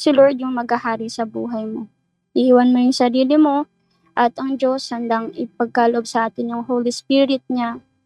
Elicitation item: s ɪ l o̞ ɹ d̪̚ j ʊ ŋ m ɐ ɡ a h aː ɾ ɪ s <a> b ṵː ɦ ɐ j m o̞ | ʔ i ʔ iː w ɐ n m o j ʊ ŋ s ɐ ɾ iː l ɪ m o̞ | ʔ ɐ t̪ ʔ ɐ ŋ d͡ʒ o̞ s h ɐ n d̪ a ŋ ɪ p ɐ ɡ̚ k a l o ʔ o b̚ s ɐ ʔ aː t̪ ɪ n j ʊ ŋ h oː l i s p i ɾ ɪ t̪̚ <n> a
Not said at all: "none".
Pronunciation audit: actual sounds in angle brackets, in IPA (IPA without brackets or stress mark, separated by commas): ɐ, ɲ